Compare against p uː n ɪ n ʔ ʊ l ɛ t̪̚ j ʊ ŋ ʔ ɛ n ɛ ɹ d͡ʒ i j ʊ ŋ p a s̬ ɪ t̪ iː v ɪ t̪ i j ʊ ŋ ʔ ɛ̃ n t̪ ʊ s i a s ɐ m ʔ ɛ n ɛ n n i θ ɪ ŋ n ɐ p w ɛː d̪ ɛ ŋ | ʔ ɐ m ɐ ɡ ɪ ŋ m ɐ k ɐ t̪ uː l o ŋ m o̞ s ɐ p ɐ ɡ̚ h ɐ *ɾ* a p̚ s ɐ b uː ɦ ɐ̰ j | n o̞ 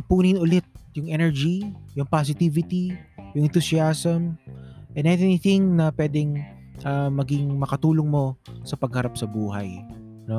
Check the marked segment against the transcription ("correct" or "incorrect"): correct